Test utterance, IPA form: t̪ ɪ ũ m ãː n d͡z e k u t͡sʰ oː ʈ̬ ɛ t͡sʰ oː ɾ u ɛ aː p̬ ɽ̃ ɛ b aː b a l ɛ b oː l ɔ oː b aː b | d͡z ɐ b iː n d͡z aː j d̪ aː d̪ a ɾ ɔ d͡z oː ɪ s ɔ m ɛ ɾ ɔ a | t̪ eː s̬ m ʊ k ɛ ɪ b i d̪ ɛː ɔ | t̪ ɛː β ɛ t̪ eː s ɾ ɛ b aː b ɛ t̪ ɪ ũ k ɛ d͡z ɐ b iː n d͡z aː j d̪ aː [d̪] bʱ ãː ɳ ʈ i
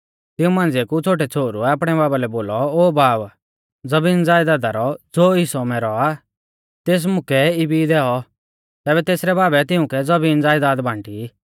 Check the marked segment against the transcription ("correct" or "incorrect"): correct